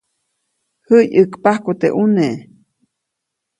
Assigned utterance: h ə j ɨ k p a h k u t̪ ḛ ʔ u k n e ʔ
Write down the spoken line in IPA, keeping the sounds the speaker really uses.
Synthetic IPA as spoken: h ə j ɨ k p a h k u t̪ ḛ ʔ u n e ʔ

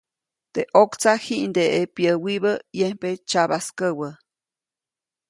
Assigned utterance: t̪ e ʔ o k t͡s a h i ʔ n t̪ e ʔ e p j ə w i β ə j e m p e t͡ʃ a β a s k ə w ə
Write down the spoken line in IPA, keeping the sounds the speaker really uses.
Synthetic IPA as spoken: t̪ e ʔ o k t͡s a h i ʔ n d̪ e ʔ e p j ə w i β ə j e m p e t͡ʃ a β a s k ə w ə

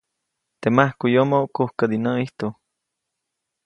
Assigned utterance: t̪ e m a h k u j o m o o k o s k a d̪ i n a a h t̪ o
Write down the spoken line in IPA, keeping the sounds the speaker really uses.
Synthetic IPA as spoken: t̪ e m a h k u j o m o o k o h k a d̪ i n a i h t̪ o

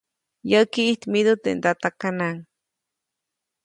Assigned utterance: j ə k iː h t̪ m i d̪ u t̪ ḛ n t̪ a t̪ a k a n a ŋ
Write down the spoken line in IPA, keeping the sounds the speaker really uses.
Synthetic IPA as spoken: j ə k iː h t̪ m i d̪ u t̪ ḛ n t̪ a t̪ a k a n a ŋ

